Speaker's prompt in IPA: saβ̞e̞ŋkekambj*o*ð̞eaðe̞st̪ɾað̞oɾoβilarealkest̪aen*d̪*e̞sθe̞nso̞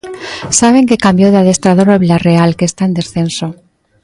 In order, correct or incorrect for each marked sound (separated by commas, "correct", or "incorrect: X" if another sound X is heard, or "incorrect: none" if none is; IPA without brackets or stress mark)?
correct, correct